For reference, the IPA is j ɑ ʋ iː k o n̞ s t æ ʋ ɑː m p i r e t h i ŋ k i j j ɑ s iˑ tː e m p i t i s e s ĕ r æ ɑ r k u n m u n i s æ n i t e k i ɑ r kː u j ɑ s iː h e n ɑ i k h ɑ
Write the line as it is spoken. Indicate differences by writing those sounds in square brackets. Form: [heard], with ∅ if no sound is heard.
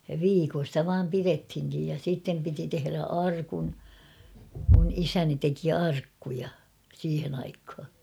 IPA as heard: j ɑ ʋ iː k o n̞ s t æ ʋ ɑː m p i r e t h i ŋ k i j j ɑ s iˑ tː e m p i t i [t] e [h] ĕ r æ ɑ r k u n m u n i s æ n i t e k i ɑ r kː u j ɑ s iː h e n ɑ i k h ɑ